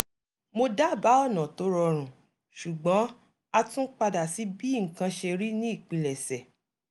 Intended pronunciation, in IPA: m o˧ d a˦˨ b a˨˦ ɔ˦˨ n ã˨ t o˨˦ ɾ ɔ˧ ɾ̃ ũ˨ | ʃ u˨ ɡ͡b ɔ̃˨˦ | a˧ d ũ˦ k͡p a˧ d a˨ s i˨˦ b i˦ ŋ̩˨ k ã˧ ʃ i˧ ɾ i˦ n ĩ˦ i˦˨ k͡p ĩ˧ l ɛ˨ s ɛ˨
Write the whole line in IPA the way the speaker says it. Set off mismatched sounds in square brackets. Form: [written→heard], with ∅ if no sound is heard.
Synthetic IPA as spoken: m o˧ d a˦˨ b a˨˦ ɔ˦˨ n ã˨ t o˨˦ ɾ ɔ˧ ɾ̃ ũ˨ | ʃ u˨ ɡ͡b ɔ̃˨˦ | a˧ [d→t] ũ˦ k͡p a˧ d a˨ s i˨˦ b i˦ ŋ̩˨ k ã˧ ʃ [i˧→e˧] ɾ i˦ n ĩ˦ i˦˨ k͡p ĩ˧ l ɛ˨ s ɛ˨